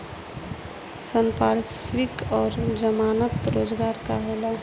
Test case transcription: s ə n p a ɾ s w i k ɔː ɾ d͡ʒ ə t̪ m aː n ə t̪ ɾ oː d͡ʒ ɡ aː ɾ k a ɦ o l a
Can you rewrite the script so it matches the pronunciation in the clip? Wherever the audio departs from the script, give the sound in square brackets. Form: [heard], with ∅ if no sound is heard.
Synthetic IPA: s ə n p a ɾ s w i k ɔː ɾ d͡ʒ ə [∅] m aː n ə t̪ ɾ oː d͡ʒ ɡ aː ɾ k a ɦ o l a